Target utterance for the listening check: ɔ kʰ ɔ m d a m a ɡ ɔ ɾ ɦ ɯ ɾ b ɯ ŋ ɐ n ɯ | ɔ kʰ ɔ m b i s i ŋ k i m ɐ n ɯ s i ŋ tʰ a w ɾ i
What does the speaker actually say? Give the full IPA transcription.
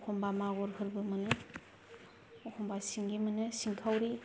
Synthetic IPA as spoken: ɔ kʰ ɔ m b a m a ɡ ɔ ɾ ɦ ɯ ɾ b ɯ m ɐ n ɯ | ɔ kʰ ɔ m b a s i ŋ ɡ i m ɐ n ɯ s i ŋ kʰ a w ɾ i